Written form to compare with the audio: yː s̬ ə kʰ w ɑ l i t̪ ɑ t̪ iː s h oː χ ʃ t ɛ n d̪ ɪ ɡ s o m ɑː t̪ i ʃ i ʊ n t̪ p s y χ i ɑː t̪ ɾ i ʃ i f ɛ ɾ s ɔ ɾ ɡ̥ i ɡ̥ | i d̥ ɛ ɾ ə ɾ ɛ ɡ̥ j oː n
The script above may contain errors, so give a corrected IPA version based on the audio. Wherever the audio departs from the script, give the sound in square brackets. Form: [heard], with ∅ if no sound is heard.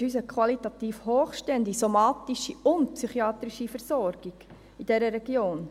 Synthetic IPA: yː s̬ ə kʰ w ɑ l i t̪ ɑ t̪ iː [f] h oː χ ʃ t ɛ n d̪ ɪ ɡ s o m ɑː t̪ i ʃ i ʊ n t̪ p s y χ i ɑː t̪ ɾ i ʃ i f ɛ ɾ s ɔ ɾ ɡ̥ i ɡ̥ | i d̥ ɛ ɾ ə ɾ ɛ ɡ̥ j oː n

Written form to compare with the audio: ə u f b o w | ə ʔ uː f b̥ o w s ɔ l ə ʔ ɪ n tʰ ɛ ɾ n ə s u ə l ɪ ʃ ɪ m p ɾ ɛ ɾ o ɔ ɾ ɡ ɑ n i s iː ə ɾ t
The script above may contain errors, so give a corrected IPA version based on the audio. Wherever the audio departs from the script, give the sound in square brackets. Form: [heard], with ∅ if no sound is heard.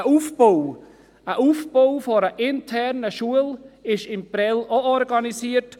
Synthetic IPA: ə u f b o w | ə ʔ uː f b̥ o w [f] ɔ [ɾ] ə ʔ ɪ n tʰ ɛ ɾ n ə [ʃ] u ə l ɪ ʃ ɪ m p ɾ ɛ [l] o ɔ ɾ ɡ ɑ n i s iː ə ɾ t

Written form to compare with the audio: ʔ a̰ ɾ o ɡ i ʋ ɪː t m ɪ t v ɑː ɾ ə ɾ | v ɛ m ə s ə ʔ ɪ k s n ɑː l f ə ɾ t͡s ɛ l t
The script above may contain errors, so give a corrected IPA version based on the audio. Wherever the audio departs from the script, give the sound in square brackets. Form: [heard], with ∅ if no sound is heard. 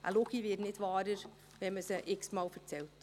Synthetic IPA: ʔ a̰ [l] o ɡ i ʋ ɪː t [n] ɪ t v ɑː ɾ ə ɾ | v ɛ m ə s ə ʔ ɪ k s [m] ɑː l f ə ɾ t͡s ɛ l t

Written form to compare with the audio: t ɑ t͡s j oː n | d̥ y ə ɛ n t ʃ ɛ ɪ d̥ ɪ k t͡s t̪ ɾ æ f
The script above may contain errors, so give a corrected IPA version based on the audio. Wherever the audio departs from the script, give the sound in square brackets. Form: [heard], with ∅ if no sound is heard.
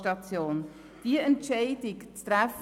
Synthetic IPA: t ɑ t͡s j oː n | d̥ [i] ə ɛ n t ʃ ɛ ɪ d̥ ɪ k t͡s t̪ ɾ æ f

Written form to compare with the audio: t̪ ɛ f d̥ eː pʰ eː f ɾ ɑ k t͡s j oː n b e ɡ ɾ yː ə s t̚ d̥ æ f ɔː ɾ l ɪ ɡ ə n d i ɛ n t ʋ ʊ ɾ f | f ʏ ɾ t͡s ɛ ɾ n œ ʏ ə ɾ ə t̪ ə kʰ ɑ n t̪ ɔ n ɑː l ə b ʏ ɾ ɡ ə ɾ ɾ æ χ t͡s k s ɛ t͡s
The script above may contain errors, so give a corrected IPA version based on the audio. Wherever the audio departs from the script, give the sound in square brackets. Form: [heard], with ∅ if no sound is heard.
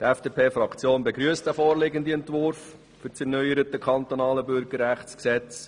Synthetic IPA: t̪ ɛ f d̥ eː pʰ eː f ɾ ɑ k t͡s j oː n b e ɡ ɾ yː ə s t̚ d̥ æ f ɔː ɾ l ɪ ɡ ə n d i ɛ n t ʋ ʊ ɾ f | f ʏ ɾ t͡s ɛ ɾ n œ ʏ ə ɾ ə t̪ ə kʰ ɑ n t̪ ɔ n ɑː l ə b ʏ ɾ ɡ ə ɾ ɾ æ χ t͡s k s ɛ t͡s

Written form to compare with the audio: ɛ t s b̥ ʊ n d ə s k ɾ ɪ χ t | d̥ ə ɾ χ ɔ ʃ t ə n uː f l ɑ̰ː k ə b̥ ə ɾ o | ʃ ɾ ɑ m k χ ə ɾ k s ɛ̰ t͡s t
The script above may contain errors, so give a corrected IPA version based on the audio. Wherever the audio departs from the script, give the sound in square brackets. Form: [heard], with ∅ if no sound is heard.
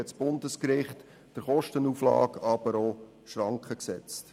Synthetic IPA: ɛ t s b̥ ʊ n d ə s k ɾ ɪ χ t | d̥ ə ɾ χ ɔ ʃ t ə n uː f l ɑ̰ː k [ɑ] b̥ ə ɾ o | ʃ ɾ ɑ [ŋ] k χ ə [∅] k s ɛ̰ t͡s t

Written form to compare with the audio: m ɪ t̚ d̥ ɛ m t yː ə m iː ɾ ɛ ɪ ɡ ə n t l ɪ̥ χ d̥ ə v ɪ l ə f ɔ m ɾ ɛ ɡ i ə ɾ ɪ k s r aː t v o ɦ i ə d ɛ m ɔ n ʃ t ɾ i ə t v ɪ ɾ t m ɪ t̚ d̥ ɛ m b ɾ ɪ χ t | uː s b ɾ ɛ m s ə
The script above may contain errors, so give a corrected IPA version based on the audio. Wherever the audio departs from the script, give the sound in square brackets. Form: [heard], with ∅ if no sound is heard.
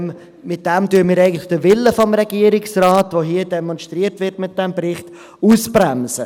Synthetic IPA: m ɪ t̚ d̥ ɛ m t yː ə m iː ɾ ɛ ɪ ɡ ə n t l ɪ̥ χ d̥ ə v ɪ l ə f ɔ m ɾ ɛ ɡ i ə ɾ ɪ k s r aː t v o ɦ i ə d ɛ m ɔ n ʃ t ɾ i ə t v ɪ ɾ t m ɪ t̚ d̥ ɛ m b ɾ ɪ χ t | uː s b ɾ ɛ m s ə

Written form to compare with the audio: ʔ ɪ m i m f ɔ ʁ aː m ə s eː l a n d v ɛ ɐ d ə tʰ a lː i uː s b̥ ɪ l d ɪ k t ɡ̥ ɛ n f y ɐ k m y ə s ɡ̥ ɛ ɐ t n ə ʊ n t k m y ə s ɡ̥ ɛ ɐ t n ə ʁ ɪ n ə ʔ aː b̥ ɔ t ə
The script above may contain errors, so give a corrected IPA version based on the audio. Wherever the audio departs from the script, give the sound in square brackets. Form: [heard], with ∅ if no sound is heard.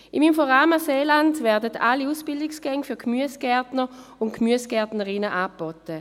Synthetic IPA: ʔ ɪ m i m f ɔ ʁ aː m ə s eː l a n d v ɛ ɐ d ə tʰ a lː i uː s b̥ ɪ l d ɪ k [s] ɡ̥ ɛ [ŋ] f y ɐ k m y ə s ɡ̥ ɛ ɐ t n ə ʊ n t k m y ə s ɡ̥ ɛ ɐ t n ə ʁ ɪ n ə ʔ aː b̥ ɔ t ə

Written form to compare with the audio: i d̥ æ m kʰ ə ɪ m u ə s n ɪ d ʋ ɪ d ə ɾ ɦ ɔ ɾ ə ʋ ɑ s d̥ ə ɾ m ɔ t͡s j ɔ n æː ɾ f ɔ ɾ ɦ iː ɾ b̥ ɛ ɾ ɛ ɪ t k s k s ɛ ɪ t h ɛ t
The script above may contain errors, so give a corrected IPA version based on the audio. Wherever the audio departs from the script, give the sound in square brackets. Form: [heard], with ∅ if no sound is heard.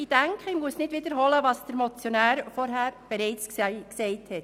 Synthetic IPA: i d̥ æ [ŋ] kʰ ə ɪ m u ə s n ɪ d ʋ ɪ d ə ɾ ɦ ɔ [l] ə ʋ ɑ s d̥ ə ɾ m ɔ t͡s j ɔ n æː ɾ f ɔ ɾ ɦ [æː] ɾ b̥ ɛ ɾ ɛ ɪ [t͡s] k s k s ɛ ɪ t h ɛ t

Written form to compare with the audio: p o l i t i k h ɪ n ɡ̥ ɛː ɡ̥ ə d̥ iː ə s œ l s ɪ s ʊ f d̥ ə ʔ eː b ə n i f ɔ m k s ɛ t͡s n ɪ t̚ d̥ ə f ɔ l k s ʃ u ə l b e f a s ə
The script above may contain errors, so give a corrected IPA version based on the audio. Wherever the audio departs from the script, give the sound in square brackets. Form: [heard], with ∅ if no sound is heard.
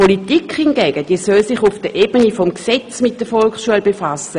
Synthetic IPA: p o l i t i k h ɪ n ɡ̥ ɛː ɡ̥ ə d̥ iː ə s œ l s ɪ [χ] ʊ f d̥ ə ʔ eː b ə n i f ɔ m k s ɛ t͡s [m] ɪ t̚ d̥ ə f ɔ l k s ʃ u ə l b e f a s ə

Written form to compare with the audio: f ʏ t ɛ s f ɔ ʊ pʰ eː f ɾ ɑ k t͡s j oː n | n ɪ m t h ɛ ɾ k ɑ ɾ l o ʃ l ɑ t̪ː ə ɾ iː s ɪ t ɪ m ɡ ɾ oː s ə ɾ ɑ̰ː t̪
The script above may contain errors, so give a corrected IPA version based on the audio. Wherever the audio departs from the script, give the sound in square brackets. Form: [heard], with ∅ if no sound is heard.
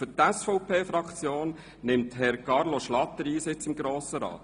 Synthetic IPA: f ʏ t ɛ s f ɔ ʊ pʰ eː f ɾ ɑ k t͡s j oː n | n ɪ m t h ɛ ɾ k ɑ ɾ l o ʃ l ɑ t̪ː ə ɾ iː s ɪ [t͡s] ɪ m ɡ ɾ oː s ə ɾ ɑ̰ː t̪

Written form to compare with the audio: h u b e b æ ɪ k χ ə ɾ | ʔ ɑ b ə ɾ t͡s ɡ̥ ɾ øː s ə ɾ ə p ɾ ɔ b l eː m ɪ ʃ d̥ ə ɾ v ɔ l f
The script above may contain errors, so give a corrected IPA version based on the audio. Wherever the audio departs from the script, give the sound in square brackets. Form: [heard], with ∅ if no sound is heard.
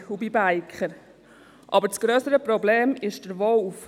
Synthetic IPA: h u b [i] b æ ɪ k χ ə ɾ | ʔ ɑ b ə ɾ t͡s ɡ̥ ɾ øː s ə ɾ ə p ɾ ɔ b l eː m ɪ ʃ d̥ ə ɾ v ɔ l f

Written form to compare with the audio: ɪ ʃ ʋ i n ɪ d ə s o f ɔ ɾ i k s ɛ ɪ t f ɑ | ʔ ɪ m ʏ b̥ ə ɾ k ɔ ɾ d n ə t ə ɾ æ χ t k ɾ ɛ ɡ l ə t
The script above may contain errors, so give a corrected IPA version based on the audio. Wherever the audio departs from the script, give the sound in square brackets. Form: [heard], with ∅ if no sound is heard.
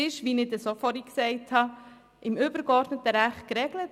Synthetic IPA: ɪ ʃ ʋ i n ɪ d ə s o f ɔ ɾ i k s ɛ ɪ t [h] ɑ | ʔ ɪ m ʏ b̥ ə ɾ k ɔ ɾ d n ə t ə ɾ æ χ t k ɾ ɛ ɡ l ə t

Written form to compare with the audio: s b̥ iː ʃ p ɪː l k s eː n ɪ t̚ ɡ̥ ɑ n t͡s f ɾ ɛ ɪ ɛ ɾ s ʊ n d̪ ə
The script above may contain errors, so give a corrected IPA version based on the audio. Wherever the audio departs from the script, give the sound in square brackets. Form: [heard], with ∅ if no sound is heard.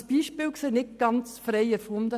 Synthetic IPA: s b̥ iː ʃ p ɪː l k s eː n ɪ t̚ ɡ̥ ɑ n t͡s f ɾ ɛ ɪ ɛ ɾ [f] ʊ n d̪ ə

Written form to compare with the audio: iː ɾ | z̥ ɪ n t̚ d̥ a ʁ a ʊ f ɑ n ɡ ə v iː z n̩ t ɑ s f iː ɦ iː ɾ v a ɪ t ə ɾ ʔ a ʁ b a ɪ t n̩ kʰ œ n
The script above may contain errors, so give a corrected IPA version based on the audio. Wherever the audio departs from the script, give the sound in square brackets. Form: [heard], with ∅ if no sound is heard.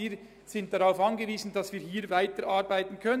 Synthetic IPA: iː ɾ | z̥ ɪ n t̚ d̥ a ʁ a ʊ f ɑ n ɡ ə v iː z n̩ [d] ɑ s [v] iː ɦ iː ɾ v a ɪ t ə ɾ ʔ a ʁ b a ɪ t n̩ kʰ œ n

